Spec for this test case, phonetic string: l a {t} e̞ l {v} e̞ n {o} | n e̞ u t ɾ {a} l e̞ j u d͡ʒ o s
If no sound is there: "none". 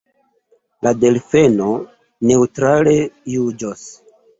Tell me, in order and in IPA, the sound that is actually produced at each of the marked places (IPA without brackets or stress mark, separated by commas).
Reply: d, f, o, a